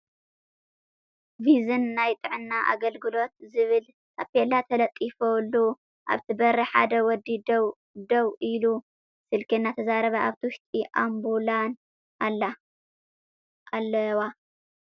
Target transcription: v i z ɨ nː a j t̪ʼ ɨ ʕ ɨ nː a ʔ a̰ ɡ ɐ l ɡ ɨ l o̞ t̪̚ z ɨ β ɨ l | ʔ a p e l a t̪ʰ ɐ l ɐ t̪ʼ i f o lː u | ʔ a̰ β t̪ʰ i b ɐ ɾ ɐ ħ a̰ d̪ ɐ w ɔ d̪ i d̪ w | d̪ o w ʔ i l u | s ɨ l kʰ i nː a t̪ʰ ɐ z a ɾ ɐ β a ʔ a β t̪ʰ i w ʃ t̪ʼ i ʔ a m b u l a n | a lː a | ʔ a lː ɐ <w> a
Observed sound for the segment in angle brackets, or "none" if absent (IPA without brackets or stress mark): w